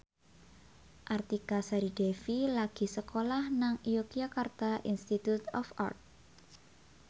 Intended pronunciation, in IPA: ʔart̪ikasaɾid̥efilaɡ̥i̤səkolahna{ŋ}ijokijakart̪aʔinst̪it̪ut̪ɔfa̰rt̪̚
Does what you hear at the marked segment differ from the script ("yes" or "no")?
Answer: no